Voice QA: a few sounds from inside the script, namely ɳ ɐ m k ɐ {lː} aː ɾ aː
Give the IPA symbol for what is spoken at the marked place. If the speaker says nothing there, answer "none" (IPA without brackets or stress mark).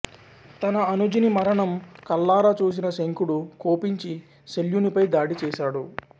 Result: lː